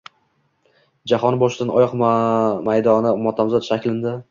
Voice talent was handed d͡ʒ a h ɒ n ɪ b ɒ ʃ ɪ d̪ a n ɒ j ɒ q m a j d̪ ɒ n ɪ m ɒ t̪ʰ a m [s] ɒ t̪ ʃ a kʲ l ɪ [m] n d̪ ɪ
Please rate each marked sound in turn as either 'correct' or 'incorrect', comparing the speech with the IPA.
incorrect, incorrect

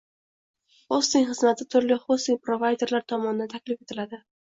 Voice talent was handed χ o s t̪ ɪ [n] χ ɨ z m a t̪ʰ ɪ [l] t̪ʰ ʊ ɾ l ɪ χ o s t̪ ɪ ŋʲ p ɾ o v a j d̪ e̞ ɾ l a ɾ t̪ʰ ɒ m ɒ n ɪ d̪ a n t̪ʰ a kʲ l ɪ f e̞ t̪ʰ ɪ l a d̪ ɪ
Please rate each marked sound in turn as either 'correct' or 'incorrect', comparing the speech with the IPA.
incorrect, incorrect

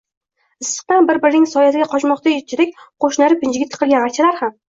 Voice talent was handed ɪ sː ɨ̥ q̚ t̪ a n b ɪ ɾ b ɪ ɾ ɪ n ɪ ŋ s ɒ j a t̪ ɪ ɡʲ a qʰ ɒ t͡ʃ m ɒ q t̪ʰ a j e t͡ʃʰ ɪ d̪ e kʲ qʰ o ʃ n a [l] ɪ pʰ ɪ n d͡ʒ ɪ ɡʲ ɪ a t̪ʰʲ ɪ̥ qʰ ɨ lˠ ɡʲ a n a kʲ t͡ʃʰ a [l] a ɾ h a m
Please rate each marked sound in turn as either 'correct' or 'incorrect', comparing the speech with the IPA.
incorrect, correct

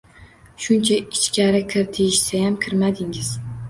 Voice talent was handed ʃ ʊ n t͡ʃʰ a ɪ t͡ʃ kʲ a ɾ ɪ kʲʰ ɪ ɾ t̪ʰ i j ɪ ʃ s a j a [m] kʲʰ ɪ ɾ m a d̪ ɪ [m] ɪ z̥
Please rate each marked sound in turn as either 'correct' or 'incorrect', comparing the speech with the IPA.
correct, incorrect

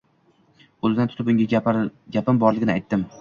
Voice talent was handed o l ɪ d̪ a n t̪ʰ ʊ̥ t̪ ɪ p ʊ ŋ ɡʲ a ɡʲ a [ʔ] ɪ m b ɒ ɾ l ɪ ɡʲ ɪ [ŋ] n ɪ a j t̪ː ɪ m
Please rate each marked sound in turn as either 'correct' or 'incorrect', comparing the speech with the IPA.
incorrect, incorrect

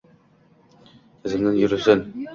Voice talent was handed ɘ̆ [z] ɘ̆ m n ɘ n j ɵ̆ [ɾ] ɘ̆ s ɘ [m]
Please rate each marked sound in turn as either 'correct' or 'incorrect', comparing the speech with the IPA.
correct, correct, incorrect

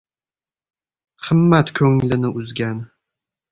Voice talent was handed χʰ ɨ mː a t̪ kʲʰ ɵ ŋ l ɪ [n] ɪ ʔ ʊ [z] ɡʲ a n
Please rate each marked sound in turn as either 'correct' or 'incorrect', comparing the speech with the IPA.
correct, correct

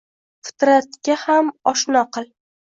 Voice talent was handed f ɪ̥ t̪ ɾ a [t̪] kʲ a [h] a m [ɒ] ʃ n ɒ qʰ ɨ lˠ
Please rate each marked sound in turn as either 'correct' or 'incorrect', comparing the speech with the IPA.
correct, correct, correct

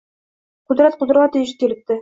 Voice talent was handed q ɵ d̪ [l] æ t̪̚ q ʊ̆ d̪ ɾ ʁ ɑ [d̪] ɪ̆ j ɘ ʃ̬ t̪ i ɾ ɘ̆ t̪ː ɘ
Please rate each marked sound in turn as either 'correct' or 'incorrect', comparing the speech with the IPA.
incorrect, incorrect

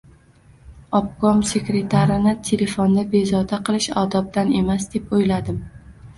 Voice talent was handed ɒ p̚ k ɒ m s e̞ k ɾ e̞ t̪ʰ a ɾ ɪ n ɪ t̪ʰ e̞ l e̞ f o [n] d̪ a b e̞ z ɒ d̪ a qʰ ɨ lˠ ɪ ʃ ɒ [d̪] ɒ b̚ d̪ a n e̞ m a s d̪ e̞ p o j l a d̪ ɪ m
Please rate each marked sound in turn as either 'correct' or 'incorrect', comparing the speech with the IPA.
correct, correct

